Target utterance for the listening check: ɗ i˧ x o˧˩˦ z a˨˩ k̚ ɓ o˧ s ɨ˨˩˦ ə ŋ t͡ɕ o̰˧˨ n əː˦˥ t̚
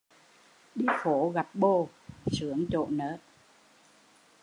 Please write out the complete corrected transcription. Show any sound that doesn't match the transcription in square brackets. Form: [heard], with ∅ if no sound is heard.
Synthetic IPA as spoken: ɗ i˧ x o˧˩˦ [ɣ] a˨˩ [p̚] ɓ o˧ s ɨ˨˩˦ ə ŋ t͡ɕ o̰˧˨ n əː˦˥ t̚